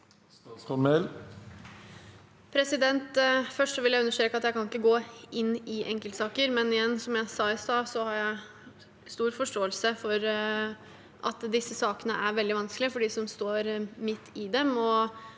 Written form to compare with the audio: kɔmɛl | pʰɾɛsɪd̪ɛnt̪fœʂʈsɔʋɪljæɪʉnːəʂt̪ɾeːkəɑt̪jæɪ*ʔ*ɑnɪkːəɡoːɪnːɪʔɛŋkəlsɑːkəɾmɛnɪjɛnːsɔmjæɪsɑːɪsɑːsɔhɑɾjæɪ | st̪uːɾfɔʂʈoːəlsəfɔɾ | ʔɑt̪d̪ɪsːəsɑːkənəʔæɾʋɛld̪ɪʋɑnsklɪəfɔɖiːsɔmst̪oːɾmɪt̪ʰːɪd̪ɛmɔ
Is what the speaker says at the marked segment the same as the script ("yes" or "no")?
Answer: no